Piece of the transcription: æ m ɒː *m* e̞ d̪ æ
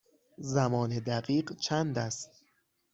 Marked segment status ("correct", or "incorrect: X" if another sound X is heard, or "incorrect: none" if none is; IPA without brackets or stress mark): incorrect: n